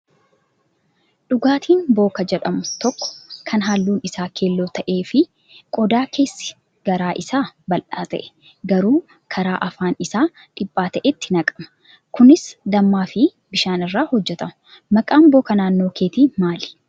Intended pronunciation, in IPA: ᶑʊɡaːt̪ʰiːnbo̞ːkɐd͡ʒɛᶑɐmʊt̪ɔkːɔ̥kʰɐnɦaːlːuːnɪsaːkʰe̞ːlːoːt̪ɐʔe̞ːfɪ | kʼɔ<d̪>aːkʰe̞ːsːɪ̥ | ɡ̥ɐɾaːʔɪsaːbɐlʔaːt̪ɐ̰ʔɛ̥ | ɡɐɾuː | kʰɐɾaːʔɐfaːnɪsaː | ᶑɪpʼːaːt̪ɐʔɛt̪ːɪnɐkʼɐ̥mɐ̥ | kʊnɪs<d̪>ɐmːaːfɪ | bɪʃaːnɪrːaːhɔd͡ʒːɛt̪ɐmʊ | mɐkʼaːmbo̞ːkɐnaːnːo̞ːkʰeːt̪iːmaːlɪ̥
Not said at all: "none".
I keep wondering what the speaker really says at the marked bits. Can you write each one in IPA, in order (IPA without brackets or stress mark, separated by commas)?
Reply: d̪, d̪